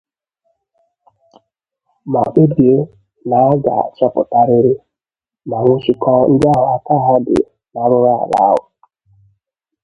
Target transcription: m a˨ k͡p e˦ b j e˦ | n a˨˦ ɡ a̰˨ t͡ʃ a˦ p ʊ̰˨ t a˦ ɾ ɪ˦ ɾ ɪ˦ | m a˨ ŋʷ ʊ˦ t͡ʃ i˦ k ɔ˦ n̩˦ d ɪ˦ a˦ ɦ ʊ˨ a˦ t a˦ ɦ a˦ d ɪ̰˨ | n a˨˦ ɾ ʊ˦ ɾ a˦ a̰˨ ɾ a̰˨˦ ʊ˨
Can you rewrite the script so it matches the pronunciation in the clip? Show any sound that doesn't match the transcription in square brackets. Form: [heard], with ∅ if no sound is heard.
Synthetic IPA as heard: m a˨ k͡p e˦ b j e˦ | n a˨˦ ɡ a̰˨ t͡ʃ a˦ p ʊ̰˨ t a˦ ɾ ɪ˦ ɾ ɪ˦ | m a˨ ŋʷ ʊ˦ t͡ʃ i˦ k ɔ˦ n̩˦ d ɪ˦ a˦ ɦ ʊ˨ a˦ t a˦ ɦ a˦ d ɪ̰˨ | n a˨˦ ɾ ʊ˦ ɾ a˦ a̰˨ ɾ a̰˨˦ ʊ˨